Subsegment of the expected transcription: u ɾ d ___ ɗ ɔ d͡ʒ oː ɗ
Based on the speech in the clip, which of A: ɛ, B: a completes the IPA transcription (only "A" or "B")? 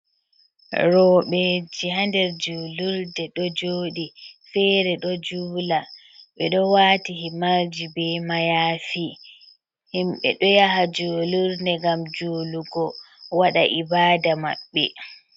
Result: A